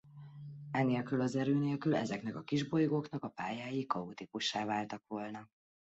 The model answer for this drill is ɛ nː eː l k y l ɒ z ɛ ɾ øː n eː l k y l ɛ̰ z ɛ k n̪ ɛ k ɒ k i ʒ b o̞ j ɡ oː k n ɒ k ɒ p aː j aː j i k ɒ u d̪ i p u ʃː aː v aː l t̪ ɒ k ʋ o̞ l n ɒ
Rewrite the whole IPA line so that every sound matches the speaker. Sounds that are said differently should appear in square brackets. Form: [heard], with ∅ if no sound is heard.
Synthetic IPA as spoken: ɛ [n] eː l k y l ɒ z ɛ ɾ øː n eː l k y l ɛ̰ z ɛ k n̪ ɛ k ɒ k i ʒ b o̞ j ɡ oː k n ɒ k ɒ p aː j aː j i k ɒ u [t̪] i p u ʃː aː v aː l t̪ ɒ k ʋ o̞ l n ɒ